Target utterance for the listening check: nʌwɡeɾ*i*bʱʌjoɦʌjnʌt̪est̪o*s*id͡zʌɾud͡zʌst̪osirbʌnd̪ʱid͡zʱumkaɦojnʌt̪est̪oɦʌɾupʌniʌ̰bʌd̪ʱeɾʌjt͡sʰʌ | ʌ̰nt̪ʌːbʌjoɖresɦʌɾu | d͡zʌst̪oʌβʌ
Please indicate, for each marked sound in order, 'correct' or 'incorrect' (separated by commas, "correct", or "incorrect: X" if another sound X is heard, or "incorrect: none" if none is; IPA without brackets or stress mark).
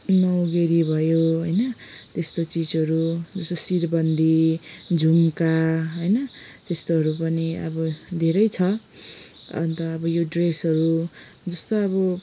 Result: correct, incorrect: t͡s